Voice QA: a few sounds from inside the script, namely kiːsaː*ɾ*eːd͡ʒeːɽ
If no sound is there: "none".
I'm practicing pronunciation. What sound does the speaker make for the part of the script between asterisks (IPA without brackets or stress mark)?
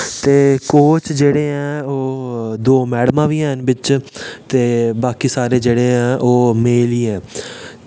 ɾ